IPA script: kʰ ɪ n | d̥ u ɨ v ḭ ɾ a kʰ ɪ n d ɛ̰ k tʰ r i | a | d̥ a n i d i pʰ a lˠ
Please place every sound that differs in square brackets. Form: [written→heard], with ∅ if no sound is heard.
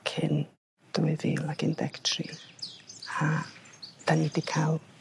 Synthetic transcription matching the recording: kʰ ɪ n | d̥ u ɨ [v→ð] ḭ [ɾ→l] a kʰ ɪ n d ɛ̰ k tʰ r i | a | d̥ a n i d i [pʰ→kʰ] a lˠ